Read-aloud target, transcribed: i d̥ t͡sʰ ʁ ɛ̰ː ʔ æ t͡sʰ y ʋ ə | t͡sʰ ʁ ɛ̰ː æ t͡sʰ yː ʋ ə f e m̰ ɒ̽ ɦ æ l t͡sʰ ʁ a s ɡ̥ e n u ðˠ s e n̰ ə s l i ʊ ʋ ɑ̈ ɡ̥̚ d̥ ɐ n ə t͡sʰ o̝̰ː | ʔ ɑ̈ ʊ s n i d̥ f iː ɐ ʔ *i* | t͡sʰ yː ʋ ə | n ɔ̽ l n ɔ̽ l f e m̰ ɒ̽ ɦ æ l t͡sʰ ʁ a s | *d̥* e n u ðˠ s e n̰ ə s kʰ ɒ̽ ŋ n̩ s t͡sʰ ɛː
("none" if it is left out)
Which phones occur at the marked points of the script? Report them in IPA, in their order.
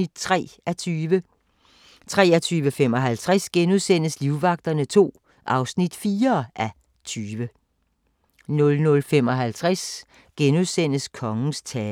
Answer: æ, ɡ̥

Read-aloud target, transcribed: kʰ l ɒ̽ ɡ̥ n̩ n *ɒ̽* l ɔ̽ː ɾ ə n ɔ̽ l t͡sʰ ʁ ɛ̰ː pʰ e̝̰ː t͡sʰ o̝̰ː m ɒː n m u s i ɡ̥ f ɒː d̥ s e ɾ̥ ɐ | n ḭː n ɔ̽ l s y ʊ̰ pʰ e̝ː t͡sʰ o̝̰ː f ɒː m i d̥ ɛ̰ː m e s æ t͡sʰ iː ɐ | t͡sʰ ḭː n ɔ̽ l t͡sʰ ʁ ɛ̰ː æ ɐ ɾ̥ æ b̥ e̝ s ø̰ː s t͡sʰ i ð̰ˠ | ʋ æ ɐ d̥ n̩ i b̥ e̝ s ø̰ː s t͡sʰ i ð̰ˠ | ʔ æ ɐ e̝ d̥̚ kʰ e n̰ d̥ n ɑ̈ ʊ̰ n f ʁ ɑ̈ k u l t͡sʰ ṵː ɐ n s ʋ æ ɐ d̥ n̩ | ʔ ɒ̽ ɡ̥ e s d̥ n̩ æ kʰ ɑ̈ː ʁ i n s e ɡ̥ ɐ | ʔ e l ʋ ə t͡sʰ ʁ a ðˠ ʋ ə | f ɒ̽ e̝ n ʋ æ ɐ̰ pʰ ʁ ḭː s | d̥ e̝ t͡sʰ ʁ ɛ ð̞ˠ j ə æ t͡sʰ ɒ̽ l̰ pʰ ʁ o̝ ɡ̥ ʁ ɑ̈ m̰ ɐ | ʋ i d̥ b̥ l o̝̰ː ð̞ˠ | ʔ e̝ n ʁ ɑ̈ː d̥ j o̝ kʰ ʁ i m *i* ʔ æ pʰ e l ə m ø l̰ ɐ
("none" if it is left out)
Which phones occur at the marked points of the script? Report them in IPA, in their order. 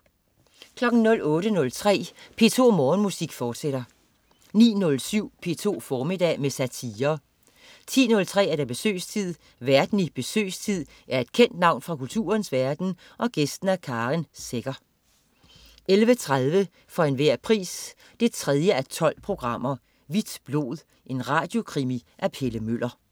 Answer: ɔ̽, i

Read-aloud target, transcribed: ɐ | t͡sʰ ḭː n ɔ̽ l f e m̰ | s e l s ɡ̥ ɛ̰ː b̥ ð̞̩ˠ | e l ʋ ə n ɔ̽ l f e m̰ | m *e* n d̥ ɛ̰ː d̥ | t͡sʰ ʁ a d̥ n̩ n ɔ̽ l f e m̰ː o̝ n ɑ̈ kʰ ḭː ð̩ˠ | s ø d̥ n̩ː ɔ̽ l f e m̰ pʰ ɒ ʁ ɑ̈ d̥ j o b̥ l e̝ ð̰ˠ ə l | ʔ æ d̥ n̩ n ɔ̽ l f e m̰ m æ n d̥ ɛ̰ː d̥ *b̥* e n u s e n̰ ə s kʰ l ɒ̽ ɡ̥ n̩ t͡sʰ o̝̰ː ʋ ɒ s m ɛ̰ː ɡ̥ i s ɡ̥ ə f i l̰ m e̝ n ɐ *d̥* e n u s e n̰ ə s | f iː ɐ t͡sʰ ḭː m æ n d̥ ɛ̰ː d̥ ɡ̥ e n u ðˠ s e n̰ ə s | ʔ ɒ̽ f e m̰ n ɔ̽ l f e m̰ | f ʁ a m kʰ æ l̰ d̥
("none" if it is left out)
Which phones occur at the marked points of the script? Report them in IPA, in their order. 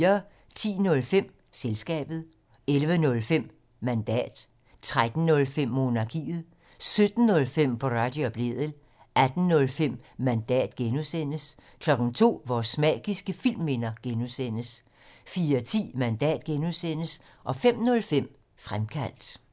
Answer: æ, ɡ̥, ɡ̥

